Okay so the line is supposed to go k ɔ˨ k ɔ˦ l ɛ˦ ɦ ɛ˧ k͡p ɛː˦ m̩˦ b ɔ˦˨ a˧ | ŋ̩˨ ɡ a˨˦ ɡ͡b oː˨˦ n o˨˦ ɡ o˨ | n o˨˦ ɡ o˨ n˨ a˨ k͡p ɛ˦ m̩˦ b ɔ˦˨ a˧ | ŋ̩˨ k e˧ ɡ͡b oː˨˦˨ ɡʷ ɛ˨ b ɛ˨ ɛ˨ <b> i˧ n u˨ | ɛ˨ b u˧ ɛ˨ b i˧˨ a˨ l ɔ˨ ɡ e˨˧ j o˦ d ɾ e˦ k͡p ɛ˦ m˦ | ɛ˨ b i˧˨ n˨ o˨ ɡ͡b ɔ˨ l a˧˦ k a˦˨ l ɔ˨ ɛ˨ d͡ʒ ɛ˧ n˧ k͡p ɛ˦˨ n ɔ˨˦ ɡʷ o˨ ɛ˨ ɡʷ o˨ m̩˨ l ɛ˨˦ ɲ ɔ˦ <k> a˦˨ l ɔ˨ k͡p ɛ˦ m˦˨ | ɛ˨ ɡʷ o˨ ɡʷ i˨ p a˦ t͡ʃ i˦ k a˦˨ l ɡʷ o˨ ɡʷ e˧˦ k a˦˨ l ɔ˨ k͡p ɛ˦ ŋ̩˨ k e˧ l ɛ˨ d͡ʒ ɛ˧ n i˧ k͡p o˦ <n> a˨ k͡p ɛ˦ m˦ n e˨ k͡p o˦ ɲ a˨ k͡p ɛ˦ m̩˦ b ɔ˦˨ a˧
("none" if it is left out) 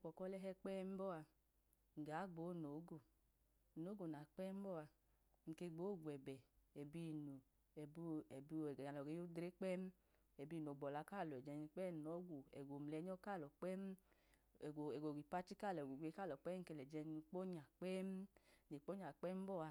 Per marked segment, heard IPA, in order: b, k, ɲ

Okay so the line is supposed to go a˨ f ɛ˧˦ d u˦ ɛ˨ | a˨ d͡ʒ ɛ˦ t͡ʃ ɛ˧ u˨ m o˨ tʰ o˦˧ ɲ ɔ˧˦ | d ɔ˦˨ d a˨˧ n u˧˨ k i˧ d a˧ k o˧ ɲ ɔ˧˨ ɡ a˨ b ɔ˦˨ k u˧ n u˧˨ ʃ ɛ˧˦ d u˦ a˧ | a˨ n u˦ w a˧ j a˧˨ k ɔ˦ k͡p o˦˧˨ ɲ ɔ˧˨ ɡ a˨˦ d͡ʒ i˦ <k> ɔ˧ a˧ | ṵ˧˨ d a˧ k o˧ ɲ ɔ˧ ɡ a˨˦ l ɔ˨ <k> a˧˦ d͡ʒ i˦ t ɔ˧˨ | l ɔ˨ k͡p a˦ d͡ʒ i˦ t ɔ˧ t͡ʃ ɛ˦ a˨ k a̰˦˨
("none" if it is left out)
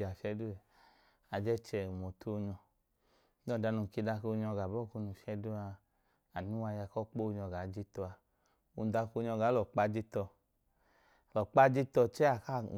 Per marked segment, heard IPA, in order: t, k͡p

